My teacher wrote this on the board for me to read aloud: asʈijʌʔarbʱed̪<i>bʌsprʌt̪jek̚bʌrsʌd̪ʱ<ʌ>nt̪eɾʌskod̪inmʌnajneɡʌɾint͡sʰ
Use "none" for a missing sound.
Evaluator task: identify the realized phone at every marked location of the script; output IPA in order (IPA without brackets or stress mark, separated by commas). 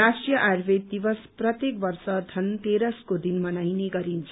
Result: i, ʌ